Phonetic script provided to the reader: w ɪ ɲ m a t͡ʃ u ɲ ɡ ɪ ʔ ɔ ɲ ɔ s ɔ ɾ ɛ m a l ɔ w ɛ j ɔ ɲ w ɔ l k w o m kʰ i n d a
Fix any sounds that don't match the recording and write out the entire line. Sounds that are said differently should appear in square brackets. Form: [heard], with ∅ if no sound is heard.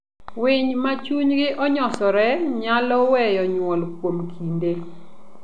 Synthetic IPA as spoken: w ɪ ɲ m a t͡ʃ u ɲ ɡ ɪ ʔ ɔ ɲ ɔ s ɔ ɾ ɛ [ɲ] a l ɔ w ɛ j ɔ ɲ w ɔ l k w o m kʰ i n d [e]